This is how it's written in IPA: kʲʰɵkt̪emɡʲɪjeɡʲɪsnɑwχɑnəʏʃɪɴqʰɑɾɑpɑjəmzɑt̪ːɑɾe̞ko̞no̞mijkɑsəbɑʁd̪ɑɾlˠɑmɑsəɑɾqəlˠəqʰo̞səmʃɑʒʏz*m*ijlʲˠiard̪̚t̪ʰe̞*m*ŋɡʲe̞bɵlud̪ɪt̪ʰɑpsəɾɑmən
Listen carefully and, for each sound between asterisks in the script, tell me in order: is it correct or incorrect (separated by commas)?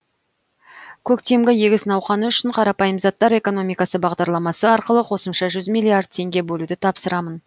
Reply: correct, incorrect